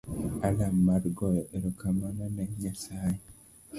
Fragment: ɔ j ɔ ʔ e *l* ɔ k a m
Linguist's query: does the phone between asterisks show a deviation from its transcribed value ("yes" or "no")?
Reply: yes